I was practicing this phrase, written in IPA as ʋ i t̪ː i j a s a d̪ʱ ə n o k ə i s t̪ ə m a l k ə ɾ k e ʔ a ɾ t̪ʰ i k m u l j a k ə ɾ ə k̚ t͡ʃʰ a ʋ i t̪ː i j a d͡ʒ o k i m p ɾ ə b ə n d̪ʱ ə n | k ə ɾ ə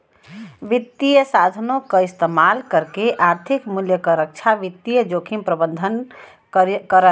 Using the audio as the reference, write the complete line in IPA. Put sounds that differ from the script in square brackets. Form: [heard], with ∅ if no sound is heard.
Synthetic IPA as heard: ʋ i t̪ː i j [ə] s a d̪ʱ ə n o k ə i s t̪ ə m a l k ə ɾ k e ʔ a ɾ t̪ʰ i k m u l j [ə] k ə ɾ ə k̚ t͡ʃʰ a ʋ i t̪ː i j [ə] d͡ʒ o [kʰ] i m p ɾ ə b ə n d̪ʱ ə n | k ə ɾ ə

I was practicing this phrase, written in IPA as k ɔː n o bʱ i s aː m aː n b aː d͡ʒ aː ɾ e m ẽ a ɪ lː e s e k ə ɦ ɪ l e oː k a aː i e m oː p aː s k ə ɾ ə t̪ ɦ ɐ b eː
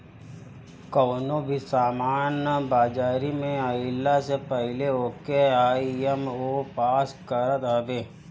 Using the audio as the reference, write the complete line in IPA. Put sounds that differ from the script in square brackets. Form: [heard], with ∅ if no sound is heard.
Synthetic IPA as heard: k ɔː n o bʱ i s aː m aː n b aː d͡ʒ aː ɾ [i] m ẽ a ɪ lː [a] s e [p] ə ɦ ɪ l e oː k [e] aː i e m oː p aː s k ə ɾ ə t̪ ɦ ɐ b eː

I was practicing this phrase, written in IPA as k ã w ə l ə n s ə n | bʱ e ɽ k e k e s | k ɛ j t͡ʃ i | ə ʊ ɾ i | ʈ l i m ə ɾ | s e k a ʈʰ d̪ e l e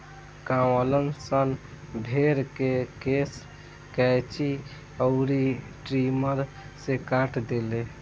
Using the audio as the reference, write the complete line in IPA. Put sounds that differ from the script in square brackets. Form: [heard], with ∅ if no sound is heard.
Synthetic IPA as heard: k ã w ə l ə n s ə n | bʱ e [ɾ] k e k e s | k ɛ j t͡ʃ i | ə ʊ ɾ i | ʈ [ɾ] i m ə ɾ | s e k a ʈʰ d̪ e l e

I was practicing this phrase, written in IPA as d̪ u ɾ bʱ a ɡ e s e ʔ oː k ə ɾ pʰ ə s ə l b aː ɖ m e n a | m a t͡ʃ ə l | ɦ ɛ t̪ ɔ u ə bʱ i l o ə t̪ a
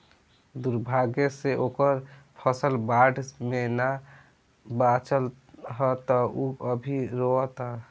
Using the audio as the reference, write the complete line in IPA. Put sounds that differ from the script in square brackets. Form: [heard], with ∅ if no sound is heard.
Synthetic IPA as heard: d̪ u ɾ bʱ a ɡ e s e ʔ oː k ə ɾ pʰ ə s ə l b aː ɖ m e n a | [b] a t͡ʃ ə l | ɦ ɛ t̪ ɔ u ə bʱ i [ɾ] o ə t̪ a

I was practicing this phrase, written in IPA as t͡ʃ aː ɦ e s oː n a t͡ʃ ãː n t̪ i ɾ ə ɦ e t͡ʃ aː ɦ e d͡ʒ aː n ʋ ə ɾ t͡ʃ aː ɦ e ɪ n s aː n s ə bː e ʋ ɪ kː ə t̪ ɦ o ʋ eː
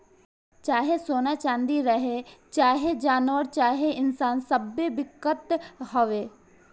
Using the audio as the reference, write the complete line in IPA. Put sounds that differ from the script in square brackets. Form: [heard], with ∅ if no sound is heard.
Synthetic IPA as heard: t͡ʃ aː ɦ e s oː n a t͡ʃ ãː n [d̪] i ɾ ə ɦ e t͡ʃ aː ɦ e d͡ʒ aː n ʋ ə ɾ t͡ʃ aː ɦ e ɪ n s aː n s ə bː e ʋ ɪ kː ə t̪ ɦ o ʋ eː

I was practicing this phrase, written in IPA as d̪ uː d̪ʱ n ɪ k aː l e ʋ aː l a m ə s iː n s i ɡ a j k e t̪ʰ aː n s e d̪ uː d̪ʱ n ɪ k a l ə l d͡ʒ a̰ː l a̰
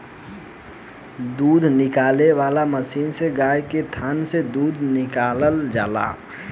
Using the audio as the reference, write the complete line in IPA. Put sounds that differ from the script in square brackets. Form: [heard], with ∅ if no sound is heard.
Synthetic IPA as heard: d̪ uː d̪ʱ n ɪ k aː l e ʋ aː l a m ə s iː n s [e] ɡ a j k e t̪ʰ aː n s e d̪ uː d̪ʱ n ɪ k a l ə l d͡ʒ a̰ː l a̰

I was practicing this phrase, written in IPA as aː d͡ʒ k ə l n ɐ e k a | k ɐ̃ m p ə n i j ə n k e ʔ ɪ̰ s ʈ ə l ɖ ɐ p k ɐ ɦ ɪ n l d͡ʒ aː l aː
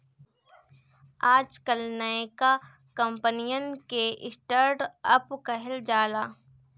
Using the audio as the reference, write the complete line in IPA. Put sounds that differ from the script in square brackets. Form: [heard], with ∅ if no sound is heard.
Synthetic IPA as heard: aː d͡ʒ k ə l n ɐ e k a | k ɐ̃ m p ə n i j ə n k e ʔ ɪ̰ s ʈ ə [ɾ] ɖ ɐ p k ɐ ɦ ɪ [∅] l d͡ʒ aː l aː

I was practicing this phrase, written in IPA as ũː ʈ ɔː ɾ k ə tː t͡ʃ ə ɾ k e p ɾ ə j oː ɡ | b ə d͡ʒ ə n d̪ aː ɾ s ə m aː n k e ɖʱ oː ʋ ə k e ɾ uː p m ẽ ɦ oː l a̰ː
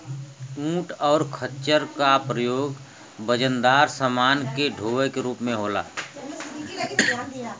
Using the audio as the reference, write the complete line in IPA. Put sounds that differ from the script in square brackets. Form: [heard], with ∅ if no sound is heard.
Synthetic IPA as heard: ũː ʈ ɔː ɾ [kʰ] ə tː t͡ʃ ə ɾ k [a] p ɾ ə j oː ɡ | b ə d͡ʒ ə n d̪ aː ɾ s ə m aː n k e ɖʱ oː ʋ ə k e ɾ uː p m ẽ ɦ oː l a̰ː

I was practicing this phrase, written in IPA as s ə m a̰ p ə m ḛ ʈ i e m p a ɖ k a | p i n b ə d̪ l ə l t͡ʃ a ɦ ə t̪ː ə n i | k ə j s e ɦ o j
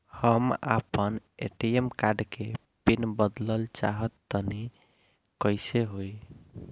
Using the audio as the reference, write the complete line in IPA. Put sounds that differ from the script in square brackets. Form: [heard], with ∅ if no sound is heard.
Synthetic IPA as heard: [h] ə m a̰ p ə [n] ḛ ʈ i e m [k] a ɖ k [e] | p i n b ə d̪ l ə l t͡ʃ a ɦ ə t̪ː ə n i | k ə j s e ɦ o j

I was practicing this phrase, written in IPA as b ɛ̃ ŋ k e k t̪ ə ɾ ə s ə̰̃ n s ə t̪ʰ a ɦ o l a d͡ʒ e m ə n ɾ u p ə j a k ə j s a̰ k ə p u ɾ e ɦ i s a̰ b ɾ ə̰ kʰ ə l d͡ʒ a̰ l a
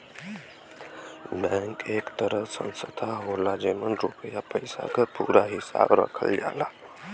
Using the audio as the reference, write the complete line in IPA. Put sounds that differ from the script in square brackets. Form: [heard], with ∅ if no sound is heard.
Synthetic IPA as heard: b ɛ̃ ŋ k e k t̪ ə ɾ ə s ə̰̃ n s ə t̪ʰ a ɦ o l a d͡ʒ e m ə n ɾ u p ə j a [p] ə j s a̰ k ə p u ɾ [a] ɦ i s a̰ b ɾ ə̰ kʰ ə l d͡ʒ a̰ l a

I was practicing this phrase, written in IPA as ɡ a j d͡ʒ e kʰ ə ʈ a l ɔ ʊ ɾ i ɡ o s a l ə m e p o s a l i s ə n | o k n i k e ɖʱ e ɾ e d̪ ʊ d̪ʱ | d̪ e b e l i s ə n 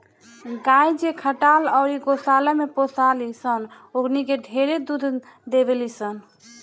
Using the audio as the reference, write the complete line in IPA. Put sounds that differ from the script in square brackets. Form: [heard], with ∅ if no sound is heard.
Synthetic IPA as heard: ɡ a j d͡ʒ e kʰ ə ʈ a l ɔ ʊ ɾ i ɡ o s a l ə m e p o s a l i s ə n | o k n i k e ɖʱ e ɾ e d̪ [u] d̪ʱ | d̪ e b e l i s ə n

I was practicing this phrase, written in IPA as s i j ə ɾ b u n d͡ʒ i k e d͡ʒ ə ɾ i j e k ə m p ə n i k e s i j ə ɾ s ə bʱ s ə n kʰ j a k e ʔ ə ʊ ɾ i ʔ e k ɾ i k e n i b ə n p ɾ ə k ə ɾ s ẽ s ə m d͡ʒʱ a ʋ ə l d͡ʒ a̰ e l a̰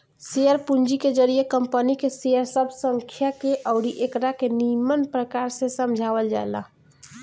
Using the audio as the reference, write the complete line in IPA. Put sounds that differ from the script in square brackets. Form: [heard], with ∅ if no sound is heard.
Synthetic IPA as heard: s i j ə ɾ [p] u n d͡ʒ i k e d͡ʒ ə ɾ i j e k ə m p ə n i k e s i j ə ɾ s ə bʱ s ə [ŋ] kʰ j a k e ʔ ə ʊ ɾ i ʔ e k ɾ [a] k e n i [m] ə n p ɾ ə k [a] ɾ s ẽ s ə m d͡ʒʱ a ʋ ə l d͡ʒ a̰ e l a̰

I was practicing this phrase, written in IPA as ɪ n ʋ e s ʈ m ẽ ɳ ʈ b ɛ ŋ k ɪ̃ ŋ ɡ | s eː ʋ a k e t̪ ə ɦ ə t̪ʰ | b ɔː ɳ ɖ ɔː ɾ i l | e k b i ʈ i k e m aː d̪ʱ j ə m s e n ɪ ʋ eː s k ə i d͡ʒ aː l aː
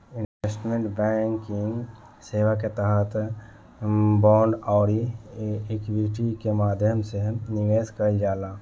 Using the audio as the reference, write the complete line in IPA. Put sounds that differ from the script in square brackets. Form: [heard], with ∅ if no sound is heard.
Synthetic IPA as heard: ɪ n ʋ e s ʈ m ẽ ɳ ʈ b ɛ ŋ k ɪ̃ ŋ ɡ | s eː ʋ a k e t̪ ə ɦ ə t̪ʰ | b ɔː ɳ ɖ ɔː ɾ i [∅] | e k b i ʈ i k e m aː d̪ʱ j ə m s e n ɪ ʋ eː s k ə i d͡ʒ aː l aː

